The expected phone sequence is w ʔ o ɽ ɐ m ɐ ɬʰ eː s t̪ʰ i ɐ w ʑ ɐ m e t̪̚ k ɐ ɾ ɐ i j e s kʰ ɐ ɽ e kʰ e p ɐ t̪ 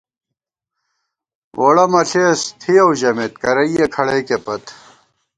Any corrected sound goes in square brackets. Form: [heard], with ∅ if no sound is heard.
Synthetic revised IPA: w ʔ o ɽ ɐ m ɐ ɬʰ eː s t̪ʰ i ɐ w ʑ ɐ m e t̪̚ k ɐ ɾ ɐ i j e [∅] kʰ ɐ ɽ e [k] e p ɐ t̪

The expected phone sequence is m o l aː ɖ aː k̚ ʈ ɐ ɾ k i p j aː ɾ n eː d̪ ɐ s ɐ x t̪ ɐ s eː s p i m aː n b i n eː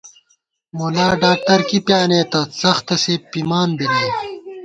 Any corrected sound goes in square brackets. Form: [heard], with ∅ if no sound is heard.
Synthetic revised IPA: m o l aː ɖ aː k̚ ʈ ɐ ɾ k i p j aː [∅] n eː [t̪] ɐ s ɐ x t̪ ɐ s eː [∅] p i m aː n b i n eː

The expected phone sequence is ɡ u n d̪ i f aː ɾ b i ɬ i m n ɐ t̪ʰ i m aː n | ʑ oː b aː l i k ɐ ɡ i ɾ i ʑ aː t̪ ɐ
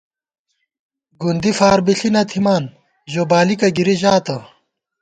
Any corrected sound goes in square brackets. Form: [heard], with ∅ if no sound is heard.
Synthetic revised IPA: ɡ u n d̪ i f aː ɾ b i ɬ i [∅] n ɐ t̪ʰ i m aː n | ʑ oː b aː l i k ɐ ɡ i ɾ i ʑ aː t̪ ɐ

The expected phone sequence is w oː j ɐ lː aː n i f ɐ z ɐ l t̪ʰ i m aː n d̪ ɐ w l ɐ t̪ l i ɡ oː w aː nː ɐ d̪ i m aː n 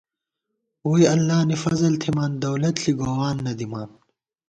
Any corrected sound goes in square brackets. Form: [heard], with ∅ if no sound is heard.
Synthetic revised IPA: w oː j ɐ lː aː n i f ɐ z ɐ l t̪ʰ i m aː n d̪ ɐ w l ɐ t̪ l i ɡ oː w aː nː ɐ d̪ i m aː n

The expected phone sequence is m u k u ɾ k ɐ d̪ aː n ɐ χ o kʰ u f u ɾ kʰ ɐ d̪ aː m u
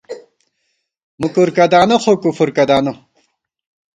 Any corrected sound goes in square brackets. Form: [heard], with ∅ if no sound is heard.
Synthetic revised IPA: m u k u ɾ k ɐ d̪ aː n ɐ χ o [k] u f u ɾ [k] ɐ d̪ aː [n] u

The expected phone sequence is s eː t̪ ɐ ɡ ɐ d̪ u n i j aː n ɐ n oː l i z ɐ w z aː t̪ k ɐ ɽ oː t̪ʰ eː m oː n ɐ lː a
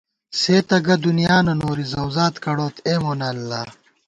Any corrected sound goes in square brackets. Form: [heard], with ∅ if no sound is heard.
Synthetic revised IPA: s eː t̪ ɐ ɡ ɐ d̪ u n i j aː n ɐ n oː [ɾ] i z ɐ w z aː t̪ k ɐ ɽ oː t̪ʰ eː m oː n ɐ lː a

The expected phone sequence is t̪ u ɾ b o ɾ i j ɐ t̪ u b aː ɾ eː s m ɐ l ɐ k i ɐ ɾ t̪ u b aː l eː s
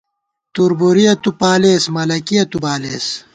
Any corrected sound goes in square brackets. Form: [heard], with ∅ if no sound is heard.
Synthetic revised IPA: t̪ u ɾ b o ɾ i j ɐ t̪ u [p] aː [l] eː s m ɐ l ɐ k i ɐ [∅] t̪ u b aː l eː s

